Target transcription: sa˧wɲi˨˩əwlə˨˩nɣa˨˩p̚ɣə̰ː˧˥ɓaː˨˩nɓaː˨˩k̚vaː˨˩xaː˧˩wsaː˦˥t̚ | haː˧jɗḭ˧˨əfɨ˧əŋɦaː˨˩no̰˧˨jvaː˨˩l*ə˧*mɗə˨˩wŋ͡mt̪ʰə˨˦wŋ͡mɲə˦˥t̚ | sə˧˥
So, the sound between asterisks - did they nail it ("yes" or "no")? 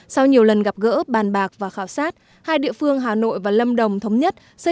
yes